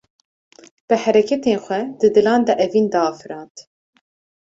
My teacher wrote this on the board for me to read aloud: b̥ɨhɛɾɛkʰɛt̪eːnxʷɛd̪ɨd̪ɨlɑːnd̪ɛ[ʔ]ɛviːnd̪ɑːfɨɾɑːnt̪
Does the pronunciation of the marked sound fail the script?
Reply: no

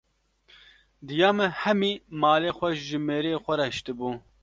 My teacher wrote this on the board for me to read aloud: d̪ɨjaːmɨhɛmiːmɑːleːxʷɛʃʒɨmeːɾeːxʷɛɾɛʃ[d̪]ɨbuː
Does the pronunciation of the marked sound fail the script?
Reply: yes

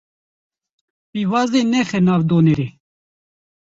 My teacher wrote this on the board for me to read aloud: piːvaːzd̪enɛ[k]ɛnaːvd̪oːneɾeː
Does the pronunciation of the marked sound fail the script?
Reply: yes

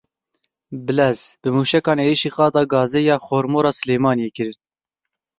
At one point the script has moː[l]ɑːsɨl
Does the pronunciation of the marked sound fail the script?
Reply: yes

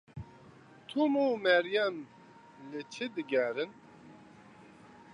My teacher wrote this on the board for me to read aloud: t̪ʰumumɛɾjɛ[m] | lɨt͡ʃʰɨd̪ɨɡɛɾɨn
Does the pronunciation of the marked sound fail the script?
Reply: no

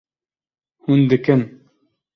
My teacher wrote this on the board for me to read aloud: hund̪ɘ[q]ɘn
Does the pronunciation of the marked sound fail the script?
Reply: yes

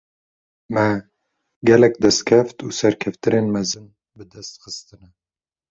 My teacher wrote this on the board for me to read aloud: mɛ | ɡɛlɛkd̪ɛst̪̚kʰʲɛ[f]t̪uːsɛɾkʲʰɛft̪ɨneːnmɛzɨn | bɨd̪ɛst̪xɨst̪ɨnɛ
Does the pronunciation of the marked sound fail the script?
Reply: no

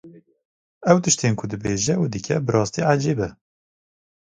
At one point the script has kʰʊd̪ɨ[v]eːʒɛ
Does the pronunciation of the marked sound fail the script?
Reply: yes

